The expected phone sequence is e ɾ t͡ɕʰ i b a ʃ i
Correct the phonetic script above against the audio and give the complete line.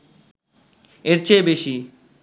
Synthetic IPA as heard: e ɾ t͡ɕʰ e b e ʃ i